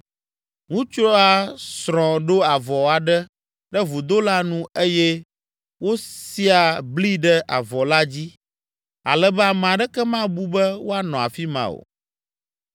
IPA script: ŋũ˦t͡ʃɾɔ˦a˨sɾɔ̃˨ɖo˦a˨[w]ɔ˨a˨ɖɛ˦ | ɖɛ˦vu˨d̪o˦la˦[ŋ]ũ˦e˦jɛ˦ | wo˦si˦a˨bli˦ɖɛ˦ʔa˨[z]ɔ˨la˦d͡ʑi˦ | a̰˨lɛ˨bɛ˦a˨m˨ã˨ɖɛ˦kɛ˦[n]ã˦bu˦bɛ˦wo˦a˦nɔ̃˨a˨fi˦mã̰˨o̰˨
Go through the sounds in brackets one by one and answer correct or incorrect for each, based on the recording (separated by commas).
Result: incorrect, incorrect, incorrect, incorrect